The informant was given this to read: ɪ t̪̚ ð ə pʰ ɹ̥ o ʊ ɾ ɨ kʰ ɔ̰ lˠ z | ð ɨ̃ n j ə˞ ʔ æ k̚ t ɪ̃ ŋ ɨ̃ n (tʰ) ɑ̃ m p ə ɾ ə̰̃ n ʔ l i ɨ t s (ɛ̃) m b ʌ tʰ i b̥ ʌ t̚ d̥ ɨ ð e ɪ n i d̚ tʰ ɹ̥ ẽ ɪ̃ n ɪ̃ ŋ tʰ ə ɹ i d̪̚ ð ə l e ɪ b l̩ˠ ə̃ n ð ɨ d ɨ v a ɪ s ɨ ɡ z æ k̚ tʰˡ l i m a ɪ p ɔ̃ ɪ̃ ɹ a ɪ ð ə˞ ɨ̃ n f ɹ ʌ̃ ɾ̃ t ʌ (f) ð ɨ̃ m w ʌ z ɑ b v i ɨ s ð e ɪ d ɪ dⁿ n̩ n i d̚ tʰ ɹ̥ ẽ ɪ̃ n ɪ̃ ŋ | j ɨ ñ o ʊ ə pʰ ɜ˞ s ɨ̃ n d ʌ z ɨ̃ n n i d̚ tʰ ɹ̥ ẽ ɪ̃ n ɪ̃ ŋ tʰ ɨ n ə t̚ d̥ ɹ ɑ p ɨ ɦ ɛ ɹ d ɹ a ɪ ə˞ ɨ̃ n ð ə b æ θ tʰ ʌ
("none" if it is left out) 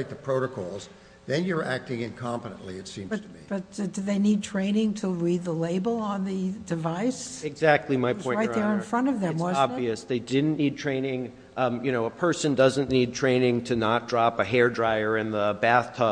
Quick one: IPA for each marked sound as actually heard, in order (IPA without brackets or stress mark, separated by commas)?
kʰ, ĩ, v